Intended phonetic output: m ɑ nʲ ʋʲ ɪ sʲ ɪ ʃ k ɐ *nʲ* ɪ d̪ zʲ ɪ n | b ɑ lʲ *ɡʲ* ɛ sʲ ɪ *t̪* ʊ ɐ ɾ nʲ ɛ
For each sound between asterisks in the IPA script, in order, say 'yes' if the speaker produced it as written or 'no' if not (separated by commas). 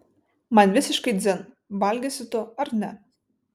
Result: no, yes, yes